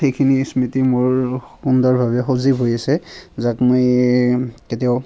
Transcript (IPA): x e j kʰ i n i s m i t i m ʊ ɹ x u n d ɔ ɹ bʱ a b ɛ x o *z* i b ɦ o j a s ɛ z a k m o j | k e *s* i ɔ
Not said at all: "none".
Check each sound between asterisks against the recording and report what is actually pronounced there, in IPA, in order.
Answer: z, t

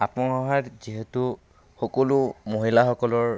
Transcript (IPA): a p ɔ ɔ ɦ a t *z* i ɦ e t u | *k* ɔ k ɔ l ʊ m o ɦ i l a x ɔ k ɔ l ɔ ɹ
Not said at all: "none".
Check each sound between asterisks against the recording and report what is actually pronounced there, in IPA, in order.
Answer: z, x

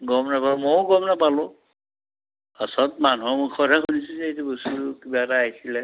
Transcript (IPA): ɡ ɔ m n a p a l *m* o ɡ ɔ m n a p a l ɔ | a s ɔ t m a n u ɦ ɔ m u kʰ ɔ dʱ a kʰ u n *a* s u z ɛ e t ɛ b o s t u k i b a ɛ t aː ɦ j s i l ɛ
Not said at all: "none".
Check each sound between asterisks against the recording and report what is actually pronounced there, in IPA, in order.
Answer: m, i

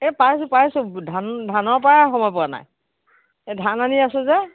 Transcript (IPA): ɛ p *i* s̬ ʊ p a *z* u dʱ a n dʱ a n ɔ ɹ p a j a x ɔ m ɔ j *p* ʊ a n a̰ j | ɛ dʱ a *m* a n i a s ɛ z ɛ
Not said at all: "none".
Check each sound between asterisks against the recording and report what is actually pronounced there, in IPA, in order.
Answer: a, s, p, n

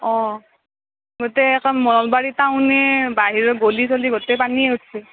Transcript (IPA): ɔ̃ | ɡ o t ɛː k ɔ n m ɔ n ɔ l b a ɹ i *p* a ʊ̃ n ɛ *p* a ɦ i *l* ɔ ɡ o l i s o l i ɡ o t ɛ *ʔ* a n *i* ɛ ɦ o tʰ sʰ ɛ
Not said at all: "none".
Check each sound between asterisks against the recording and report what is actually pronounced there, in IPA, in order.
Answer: t, b, ɹ, p, i

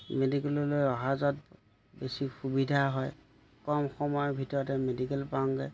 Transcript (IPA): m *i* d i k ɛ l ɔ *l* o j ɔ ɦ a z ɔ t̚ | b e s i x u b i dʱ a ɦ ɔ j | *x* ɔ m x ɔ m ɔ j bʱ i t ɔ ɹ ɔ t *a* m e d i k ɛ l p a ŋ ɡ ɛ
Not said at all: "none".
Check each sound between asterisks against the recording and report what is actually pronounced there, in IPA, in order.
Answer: e, l, k, ɛ

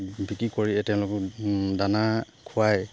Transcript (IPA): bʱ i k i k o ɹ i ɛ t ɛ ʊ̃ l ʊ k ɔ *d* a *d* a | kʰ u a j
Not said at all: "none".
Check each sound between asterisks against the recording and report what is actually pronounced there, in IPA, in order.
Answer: d, n

